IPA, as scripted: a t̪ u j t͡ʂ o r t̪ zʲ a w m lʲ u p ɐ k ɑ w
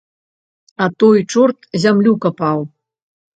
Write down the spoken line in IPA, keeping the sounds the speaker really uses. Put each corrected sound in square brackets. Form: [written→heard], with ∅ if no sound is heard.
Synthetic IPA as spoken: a t̪ [u→o] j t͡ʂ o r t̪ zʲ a [w→∅] m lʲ u [p→k] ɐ [k→p] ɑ w